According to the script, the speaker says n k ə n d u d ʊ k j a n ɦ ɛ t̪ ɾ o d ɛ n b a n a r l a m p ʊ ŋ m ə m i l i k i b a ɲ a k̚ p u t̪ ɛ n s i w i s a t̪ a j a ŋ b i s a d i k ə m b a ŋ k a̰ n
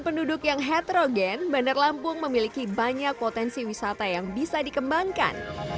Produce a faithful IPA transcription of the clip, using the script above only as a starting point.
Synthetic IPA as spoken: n p ə n d u d ʊ k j a ŋ ɦ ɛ t̪ ɾ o ɡ ɛ n b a n a r l a m p ʊ ŋ m ə m i l i k i b a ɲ a k̚ p o t̪ ɛ n s i w i s a t̪ a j a ŋ b i s a d i k ə m b a ŋ k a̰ n